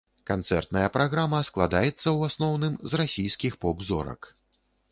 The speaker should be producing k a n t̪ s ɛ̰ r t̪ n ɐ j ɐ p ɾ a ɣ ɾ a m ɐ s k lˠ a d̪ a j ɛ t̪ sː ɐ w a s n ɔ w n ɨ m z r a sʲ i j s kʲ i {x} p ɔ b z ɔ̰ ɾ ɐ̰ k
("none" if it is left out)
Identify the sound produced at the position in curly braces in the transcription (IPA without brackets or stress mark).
x